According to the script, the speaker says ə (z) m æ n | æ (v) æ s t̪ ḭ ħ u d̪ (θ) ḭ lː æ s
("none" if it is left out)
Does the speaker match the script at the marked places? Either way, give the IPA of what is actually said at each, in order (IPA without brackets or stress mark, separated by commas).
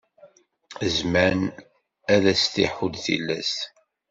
z, ð, θ